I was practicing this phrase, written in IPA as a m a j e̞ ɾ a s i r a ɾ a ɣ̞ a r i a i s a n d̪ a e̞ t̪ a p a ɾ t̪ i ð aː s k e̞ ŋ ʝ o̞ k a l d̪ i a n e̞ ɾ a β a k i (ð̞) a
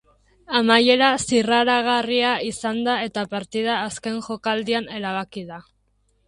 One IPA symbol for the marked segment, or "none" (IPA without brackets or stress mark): ð̞